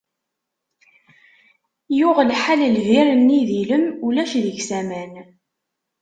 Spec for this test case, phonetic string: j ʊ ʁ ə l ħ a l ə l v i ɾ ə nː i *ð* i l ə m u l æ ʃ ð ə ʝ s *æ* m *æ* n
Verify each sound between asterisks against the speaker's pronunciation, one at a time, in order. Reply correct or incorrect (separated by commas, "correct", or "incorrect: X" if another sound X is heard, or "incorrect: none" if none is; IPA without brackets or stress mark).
correct, correct, correct